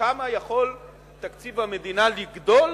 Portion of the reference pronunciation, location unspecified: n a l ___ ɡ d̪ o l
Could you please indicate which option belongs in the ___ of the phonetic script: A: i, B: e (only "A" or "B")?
A